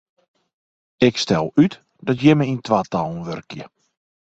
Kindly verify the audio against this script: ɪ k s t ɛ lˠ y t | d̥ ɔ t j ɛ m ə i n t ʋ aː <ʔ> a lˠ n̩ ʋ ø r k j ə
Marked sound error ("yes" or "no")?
yes